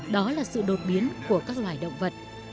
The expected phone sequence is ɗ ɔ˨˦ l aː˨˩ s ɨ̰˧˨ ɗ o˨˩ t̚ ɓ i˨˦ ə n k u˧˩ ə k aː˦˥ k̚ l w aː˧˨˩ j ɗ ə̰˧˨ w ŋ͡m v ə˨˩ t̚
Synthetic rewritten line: ɗ ɔ˨˦ l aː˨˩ s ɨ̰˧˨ ɗ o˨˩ t̚ ɓ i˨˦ ə n k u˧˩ ə k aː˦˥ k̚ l w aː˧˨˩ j ɗ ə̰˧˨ w ŋ͡m v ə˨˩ t̚